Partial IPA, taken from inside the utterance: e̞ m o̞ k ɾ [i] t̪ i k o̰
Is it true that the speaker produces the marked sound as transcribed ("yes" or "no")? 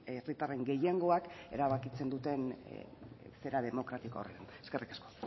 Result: no